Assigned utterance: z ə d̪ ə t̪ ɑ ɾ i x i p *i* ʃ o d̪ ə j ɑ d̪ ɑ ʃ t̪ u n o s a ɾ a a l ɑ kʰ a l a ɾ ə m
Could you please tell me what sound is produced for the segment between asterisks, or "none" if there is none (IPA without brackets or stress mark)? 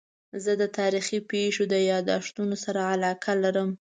e